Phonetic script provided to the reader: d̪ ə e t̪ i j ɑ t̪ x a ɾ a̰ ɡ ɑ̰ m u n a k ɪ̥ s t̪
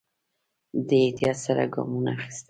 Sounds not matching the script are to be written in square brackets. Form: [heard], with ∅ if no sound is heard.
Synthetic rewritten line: d̪ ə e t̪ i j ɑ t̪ [s] a ɾ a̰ ɡ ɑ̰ m u n a [x] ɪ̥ s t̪